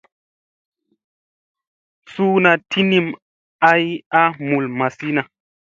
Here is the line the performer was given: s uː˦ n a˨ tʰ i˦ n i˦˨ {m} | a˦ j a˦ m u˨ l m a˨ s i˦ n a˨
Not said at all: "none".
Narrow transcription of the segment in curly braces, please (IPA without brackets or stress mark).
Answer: m